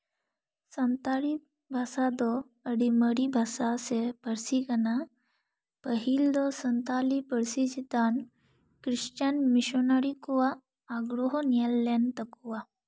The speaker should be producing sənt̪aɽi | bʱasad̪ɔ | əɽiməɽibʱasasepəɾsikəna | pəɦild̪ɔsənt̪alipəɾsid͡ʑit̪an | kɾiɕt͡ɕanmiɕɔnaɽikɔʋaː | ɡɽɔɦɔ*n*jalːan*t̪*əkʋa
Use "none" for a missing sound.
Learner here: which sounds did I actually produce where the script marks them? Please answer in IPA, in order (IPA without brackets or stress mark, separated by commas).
n, t̪